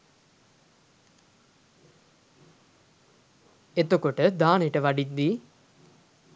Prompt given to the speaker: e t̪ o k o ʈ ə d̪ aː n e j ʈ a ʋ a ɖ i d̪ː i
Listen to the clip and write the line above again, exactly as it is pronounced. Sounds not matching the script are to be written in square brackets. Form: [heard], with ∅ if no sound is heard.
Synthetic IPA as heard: e t̪ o k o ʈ ə d̪ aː n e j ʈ [ə] ʋ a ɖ i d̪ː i